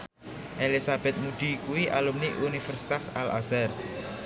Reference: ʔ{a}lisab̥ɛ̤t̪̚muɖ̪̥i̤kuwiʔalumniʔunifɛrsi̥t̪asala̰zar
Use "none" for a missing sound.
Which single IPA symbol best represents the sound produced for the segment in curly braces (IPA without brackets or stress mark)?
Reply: e